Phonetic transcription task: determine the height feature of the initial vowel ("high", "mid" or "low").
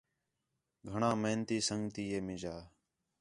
mid